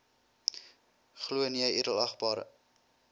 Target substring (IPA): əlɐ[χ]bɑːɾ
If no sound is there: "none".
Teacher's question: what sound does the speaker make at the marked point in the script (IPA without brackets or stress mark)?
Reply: χ